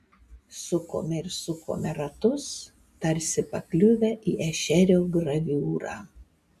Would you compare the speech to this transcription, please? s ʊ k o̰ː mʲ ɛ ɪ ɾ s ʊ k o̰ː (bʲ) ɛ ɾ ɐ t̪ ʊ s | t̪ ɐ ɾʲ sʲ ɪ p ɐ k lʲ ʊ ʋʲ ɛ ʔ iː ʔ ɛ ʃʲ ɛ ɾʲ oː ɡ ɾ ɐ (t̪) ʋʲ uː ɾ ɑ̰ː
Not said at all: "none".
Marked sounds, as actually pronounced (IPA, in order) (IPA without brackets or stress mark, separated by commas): mʲ, none